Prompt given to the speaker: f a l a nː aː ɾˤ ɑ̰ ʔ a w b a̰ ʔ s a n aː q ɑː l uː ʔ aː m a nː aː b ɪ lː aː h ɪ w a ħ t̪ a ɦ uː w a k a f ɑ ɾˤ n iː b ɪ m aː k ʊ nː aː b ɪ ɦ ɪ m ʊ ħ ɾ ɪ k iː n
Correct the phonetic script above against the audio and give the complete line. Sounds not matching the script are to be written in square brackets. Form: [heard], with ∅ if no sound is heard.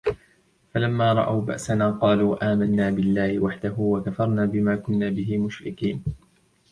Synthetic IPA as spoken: f a l a [mː] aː ɾˤ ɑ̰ ʔ a w b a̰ ʔ s a n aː q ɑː l uː ʔ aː m a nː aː b ɪ lː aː h ɪ w a ħ [d̪] a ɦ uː w a k a f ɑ ɾˤ n [aː] b ɪ m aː k ʊ nː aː b ɪ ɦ ɪ m ʊ [ʃ] ɾ ɪ k iː n